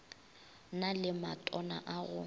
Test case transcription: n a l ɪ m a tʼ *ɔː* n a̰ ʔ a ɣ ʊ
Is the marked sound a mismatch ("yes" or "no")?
yes